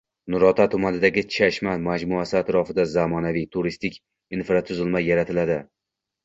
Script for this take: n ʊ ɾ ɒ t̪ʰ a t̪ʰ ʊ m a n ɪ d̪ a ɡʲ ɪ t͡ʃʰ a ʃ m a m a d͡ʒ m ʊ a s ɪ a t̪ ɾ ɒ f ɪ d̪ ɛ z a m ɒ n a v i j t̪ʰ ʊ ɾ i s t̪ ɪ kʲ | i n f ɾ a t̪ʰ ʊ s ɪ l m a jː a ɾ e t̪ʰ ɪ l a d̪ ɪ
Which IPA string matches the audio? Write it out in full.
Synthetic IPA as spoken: n ʊ ɾ ɒ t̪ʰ a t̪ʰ ʊ m a n ɪ d̪ a ɡʲ ɪ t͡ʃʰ a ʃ m a m a d͡ʒ m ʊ a s ɪ a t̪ ɾ ɒ f ɪ d̪ a z a m ɒ n a v i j t̪ʰ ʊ ɾ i s t̪ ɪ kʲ | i n f ɾ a t̪ʰ ʊ z ɪ l m a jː a ɾ a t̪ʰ ɪ l a d̪ ɪ